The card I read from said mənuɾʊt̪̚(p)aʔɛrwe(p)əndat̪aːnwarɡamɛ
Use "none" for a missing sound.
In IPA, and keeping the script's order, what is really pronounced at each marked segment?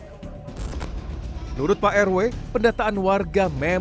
p, p

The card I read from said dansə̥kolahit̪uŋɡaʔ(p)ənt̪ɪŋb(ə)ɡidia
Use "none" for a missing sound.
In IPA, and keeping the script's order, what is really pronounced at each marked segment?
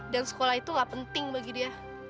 p, a

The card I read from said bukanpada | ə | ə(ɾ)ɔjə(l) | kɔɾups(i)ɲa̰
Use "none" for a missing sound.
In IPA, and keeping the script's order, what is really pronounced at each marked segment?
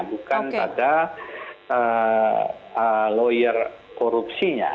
l, r, i

